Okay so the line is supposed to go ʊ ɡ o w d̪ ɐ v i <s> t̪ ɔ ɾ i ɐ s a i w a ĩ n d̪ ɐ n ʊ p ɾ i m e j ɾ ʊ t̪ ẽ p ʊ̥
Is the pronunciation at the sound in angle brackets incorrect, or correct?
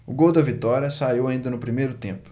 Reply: incorrect: none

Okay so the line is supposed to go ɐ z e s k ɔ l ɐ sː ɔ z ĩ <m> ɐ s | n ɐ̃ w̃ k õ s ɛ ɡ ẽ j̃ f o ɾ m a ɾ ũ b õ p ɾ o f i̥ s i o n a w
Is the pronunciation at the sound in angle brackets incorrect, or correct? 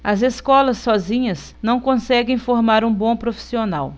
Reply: incorrect: ɲ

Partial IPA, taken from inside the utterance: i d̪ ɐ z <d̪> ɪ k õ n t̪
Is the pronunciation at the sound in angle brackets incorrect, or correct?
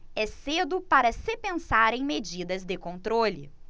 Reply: correct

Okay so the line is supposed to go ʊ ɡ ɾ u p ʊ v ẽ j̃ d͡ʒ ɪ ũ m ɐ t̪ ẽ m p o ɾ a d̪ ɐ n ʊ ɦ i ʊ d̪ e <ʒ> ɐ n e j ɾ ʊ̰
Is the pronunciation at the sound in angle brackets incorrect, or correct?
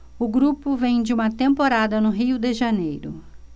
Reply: correct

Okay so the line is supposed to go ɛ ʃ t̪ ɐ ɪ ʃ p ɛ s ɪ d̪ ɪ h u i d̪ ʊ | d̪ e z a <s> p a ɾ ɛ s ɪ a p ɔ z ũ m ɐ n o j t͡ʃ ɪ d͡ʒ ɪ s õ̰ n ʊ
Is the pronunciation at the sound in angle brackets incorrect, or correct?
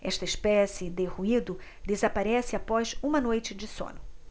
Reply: incorrect: none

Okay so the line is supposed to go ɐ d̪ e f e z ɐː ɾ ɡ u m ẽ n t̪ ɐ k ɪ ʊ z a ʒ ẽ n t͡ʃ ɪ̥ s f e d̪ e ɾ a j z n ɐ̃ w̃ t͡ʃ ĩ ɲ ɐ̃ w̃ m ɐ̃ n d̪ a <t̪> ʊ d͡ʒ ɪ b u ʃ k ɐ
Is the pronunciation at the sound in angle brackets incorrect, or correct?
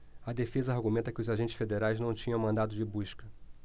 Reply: incorrect: d̪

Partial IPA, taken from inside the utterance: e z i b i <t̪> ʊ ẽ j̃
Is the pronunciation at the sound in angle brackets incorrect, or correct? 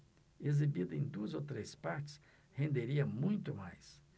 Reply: incorrect: d̪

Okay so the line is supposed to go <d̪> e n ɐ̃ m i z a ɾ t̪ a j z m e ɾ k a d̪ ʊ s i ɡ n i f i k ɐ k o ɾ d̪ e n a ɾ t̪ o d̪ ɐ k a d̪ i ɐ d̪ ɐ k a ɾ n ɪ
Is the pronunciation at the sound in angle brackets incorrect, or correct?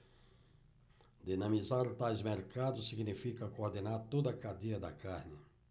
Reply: correct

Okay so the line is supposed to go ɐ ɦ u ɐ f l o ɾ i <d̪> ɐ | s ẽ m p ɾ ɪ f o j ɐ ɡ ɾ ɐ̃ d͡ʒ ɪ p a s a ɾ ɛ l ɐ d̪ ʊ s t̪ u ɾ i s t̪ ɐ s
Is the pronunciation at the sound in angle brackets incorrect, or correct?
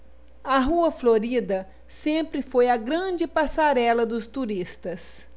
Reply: correct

